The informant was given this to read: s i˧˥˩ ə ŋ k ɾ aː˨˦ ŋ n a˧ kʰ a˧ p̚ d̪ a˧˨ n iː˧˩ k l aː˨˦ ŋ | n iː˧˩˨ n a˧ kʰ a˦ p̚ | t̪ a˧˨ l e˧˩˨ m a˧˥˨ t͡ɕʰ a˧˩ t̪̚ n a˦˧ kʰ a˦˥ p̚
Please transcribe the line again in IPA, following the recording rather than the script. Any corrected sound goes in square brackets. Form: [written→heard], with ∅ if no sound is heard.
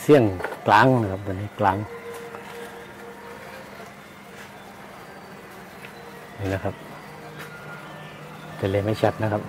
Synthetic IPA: s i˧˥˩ ə ŋ k [ɾ→l] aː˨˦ ŋ n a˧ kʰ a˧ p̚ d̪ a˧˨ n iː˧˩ k l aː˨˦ ŋ | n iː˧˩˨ n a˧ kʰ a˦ p̚ | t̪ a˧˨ l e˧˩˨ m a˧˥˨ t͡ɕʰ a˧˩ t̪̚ n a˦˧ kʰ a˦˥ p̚